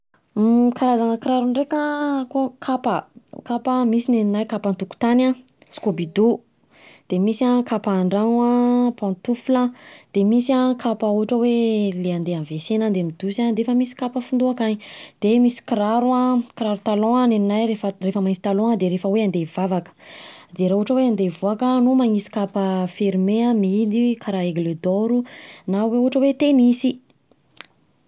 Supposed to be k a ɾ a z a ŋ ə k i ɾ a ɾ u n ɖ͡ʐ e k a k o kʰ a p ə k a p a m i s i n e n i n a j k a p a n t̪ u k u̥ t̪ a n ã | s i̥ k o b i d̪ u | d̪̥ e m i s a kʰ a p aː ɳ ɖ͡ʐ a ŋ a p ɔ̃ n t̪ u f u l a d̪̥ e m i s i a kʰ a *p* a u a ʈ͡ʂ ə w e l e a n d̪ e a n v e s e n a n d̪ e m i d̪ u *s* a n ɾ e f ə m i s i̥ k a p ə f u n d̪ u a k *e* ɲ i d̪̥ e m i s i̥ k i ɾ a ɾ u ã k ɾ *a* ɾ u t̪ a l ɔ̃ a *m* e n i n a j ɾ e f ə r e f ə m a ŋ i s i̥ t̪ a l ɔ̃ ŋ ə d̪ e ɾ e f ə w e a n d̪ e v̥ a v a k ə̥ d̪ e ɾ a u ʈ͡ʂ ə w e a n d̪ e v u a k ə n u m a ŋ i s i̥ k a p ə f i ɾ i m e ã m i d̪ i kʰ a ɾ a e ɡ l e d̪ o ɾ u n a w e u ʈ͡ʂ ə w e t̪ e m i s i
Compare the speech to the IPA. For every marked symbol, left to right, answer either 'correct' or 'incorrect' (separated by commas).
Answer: correct, correct, incorrect, correct, incorrect